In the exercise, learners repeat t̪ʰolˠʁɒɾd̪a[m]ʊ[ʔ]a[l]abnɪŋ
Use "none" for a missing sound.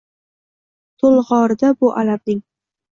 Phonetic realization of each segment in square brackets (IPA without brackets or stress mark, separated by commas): b, ʔ, l